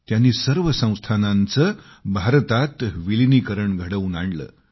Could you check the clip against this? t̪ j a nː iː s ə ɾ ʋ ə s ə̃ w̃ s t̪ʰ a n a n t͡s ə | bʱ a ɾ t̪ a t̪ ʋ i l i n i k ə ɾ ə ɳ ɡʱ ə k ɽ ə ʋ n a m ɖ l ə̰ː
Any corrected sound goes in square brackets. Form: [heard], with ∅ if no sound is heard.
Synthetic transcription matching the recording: t̪ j a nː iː s ə ɾ ʋ ə s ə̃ w̃ s t̪ʰ a n a n t͡s ə | bʱ a ɾ t̪ a t̪ ʋ i l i n i k ə ɾ ə ɳ ɡʱ ə [∅] ɽ ə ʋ n a [ɳ] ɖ l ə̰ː